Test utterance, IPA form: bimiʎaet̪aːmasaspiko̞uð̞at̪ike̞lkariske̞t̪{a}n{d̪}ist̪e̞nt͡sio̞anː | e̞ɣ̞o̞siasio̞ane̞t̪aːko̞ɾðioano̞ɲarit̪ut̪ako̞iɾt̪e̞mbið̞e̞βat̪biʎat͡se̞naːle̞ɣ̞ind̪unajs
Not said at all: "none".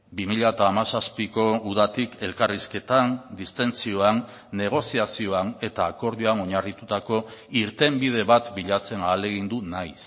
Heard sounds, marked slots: a, d̪

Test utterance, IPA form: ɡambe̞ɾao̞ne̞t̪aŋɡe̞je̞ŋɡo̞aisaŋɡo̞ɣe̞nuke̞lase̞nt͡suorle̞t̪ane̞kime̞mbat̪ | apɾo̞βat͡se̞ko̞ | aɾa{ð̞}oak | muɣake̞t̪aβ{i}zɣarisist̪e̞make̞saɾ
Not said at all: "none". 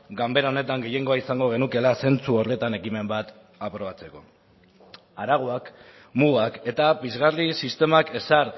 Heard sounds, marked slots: ɣ̞, i

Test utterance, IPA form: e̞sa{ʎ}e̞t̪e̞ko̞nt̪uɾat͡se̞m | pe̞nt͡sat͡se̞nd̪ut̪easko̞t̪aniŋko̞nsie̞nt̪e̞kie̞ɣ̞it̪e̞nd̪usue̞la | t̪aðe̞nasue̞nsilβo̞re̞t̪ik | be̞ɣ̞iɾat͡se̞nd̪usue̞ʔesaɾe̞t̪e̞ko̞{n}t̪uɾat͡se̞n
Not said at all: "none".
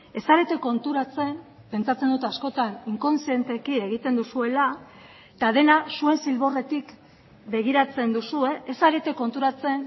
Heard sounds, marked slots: ɾ, n

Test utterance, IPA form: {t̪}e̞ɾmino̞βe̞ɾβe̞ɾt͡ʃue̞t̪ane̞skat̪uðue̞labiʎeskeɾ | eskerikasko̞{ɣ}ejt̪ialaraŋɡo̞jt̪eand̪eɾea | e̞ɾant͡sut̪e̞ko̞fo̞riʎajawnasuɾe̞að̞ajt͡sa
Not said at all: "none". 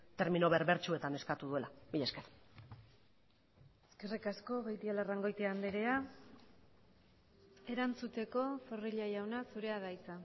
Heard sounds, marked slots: t̪, ɣ

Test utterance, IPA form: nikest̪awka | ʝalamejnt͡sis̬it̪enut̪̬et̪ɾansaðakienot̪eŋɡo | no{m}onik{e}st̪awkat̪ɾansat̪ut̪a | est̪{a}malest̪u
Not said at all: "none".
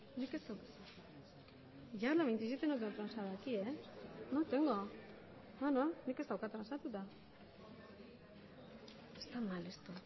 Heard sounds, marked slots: n, e, a

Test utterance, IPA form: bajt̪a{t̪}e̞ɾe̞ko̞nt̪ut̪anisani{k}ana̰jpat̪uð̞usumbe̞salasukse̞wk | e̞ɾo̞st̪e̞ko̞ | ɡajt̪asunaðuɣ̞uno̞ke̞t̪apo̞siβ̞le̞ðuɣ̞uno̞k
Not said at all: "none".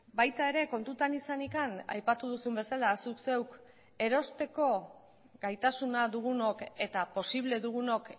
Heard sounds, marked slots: none, k

